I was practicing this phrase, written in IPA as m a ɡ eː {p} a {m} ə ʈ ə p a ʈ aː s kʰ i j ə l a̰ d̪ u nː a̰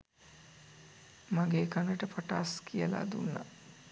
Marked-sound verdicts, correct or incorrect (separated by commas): incorrect, incorrect